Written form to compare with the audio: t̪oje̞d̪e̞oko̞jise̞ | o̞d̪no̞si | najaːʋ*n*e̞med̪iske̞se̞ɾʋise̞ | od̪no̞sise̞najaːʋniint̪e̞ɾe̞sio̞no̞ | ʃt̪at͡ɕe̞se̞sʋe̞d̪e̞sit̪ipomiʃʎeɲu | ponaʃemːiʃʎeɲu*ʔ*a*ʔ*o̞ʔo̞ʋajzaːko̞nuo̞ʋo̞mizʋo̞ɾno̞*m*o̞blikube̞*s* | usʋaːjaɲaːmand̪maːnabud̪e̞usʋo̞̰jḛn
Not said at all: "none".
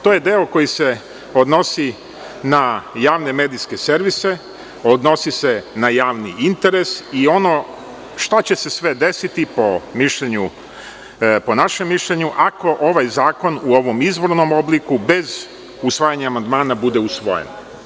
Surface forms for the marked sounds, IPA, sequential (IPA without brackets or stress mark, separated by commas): n, ʔ, k, m, z